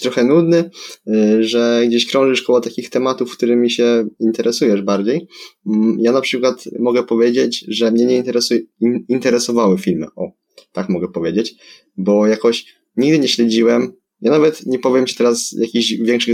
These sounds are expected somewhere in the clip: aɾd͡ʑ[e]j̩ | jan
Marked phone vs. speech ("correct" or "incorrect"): correct